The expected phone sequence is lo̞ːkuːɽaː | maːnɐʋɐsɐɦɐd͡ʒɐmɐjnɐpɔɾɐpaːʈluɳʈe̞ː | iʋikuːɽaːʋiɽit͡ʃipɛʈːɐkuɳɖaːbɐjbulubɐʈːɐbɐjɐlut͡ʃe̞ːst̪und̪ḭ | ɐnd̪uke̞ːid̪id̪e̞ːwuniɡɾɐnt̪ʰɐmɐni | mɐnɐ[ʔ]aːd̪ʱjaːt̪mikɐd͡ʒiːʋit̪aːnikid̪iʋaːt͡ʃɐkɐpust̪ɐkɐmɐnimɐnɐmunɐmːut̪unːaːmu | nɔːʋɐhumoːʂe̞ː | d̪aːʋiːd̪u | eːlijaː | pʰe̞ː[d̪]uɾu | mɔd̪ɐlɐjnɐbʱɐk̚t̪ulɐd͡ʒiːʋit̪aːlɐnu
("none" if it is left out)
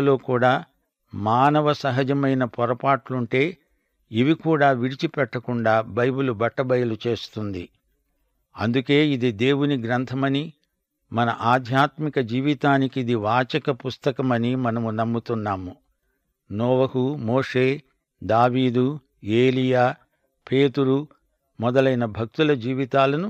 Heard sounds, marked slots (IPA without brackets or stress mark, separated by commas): ʔ, t̪